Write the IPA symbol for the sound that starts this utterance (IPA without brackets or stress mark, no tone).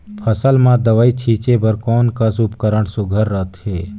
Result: pʰ